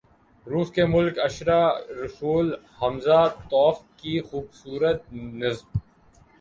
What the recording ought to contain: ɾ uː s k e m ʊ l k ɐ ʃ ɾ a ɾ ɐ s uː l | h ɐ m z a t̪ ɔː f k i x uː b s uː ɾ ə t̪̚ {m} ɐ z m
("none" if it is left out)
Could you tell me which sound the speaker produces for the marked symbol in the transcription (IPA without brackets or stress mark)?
n